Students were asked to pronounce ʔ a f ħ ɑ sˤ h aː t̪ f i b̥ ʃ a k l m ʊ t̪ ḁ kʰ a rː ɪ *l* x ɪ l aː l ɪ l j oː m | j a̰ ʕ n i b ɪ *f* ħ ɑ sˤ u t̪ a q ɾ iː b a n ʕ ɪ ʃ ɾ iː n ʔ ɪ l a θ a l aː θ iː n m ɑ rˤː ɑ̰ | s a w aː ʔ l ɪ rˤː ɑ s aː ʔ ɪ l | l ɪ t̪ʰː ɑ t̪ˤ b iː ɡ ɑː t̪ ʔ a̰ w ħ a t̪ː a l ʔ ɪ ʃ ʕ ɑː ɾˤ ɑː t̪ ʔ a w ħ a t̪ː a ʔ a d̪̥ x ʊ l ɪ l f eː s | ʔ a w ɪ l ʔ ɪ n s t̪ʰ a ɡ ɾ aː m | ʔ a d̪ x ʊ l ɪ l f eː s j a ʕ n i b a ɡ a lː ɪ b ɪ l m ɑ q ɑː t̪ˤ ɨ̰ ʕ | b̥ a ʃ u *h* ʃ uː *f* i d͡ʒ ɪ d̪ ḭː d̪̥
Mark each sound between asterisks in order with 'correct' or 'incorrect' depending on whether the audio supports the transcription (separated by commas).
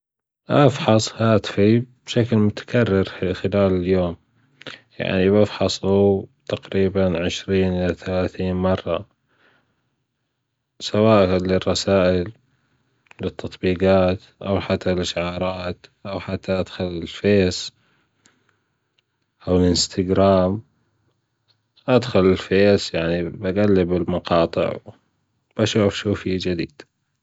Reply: incorrect, correct, incorrect, correct